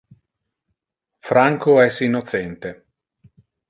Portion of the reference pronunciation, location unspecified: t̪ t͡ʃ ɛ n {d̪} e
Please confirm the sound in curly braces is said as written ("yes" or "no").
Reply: no